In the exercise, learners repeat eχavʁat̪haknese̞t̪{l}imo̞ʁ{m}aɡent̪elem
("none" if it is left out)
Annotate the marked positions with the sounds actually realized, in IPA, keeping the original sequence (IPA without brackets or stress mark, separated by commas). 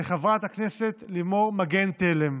l, m